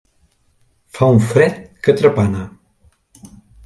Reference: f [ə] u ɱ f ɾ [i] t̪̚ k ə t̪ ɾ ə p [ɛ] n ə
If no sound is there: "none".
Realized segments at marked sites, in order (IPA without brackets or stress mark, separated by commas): a, ɛ, a